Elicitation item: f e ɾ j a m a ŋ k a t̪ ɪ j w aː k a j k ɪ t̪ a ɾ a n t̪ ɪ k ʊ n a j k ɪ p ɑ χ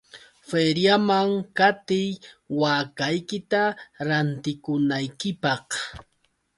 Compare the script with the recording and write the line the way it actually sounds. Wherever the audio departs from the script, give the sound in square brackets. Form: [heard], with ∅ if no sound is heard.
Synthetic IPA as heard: f e ɾ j a m a ŋ k a t̪ ɪ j w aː k a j k ɪ t̪ a ɾ a n t̪ ɪ k ʊ n a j k ɪ p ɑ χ